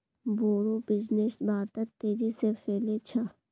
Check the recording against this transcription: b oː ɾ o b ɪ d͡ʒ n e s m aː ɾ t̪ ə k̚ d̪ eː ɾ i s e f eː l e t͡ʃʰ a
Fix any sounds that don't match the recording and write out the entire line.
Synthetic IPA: b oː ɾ o b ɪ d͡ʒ n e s b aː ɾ t̪ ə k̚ t̪ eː ɾ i s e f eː l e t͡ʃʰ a